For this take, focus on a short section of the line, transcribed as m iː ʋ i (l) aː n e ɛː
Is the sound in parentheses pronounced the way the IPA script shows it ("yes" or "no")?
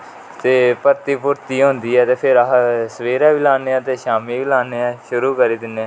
yes